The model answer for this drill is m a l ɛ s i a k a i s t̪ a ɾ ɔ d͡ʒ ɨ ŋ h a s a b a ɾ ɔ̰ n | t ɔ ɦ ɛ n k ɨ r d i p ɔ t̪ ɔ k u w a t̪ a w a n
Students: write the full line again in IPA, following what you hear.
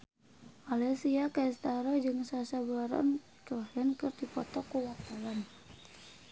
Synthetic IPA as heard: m a l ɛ s i a k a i s t̪ a ɾ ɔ d͡ʒ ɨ ŋ s a s a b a ɾ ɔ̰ n | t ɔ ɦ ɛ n k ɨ r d i p ɔ t̪ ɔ k u w a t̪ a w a n